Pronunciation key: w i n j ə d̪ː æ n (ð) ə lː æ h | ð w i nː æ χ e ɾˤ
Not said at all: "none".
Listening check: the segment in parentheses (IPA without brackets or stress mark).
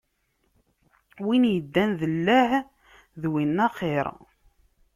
ð